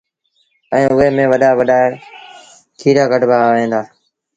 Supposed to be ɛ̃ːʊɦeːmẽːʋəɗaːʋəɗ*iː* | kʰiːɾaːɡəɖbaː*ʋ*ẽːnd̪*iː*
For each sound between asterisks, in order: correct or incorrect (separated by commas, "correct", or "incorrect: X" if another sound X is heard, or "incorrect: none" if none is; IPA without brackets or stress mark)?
incorrect: aː, correct, incorrect: aː